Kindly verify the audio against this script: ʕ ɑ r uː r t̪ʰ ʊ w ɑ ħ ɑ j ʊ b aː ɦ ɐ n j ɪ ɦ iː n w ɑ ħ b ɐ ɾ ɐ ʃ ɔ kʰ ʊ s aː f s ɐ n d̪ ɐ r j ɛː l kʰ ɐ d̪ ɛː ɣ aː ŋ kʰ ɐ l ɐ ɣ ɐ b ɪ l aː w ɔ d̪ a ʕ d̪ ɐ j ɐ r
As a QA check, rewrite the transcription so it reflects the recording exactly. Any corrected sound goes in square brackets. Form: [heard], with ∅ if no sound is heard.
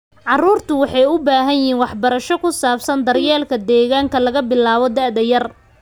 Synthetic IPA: ʕ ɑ r uː r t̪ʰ ʊ w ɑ ħ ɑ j ʊ b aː ɦ ɐ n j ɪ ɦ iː n w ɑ ħ b ɐ ɾ ɐ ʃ ɔ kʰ ʊ s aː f s ɐ n d̪ ɐ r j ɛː l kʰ ɐ d̪ ɛː ɣ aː ŋ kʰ ɐ l ɐ ɣ ɐ b ɪ l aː [β] ɔ d̪ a ʕ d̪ ɐ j ɐ r